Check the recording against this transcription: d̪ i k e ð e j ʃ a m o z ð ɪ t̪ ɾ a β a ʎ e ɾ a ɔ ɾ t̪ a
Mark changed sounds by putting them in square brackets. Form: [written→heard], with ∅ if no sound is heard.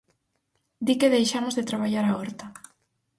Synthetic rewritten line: d̪ i k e ð e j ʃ a m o z ð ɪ t̪ ɾ a β a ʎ [e→a] ɾ a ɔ ɾ t̪ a